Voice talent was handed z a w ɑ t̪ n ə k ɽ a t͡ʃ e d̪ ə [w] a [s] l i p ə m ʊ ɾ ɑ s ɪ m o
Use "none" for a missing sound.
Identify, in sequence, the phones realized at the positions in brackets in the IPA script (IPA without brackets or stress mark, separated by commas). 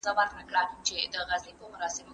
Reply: ɣ, z